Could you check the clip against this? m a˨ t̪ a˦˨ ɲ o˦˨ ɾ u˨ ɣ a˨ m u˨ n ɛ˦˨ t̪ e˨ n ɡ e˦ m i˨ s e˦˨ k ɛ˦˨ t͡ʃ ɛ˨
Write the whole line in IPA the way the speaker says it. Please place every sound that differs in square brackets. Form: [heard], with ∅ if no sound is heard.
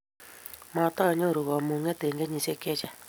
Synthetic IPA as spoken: m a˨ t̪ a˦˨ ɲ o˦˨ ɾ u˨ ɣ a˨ m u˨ [ŋ] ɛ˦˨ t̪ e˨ [ŋ] ɡ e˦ [ɲ] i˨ s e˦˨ k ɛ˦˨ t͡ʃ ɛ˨

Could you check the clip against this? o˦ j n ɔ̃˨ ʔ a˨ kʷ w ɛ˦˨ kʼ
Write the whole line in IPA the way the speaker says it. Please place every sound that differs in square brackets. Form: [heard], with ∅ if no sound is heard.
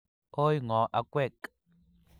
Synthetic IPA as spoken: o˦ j [ŋ] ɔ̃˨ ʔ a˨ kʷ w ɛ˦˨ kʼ

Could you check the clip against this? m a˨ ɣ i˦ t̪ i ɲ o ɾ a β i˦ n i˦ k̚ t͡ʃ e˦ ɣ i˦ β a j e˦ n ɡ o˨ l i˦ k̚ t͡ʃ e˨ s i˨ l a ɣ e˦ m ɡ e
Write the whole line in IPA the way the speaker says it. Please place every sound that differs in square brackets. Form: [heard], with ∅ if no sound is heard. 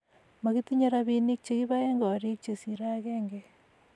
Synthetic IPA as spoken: m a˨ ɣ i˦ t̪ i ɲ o ɾ a β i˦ n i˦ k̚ t͡ʃ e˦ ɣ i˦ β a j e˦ [ŋ] ɡ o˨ [ɾ] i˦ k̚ t͡ʃ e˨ s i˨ [ɾ] a ɣ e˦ [ŋ] ɡ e

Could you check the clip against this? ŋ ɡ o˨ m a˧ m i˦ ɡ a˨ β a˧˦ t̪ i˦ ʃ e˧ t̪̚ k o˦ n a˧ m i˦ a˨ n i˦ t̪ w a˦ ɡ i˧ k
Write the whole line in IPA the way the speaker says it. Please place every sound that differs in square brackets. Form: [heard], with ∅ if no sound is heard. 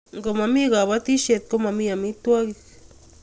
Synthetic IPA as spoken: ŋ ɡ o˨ m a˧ m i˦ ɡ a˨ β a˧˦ t̪ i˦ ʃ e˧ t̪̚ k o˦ [m] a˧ m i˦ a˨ [m] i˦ t̪ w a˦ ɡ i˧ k

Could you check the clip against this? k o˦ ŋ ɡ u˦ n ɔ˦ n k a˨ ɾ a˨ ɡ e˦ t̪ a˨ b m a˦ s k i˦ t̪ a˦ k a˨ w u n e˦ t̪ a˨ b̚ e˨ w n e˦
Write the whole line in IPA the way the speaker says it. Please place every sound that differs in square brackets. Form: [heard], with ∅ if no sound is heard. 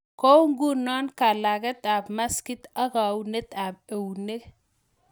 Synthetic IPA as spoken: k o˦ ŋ ɡ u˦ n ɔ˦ n k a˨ [l] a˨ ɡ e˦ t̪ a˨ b m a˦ s k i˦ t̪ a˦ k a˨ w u n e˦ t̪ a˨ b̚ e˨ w n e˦

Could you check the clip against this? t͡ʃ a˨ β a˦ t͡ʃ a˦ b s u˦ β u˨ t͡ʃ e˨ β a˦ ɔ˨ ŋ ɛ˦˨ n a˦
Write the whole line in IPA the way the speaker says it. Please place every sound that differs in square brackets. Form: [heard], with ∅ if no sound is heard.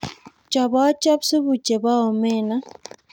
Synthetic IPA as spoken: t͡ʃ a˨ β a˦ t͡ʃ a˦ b s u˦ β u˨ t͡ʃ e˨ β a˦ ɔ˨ [m] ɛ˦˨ n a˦

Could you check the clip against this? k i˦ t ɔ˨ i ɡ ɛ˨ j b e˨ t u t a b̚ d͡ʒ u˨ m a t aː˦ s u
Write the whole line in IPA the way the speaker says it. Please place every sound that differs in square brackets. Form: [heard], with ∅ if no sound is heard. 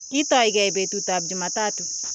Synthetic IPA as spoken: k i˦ t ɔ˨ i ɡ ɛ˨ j b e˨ t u t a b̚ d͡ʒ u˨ m a t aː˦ [t] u

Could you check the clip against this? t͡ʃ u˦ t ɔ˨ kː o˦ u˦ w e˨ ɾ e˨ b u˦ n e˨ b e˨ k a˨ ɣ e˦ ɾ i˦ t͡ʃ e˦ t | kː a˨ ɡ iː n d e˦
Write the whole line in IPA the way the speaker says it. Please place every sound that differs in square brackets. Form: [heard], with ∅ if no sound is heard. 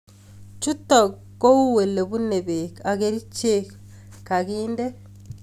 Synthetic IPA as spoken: t͡ʃ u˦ t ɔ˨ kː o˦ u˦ w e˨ [l] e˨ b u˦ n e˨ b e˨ k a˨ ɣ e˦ ɾ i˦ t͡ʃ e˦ [k] | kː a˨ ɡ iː n d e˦

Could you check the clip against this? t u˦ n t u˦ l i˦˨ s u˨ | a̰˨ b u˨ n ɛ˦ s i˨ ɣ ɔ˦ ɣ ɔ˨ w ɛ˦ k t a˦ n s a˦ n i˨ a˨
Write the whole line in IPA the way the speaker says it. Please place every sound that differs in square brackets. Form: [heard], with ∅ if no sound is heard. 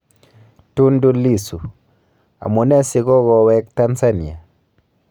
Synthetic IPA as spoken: t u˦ n [d] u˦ l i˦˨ s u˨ | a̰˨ [m] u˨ n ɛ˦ s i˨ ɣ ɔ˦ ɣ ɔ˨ w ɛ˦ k t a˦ n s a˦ n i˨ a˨

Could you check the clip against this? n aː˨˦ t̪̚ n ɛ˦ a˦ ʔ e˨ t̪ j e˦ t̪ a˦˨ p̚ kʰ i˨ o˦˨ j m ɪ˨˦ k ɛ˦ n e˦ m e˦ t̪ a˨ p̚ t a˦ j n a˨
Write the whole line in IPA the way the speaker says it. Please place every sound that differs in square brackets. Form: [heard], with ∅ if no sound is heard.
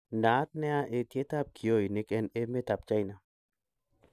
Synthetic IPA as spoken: n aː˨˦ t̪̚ n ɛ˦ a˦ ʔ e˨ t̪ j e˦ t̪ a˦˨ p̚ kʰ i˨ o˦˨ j [n] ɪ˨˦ k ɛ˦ n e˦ m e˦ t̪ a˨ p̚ [t͡ʃ] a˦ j n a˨

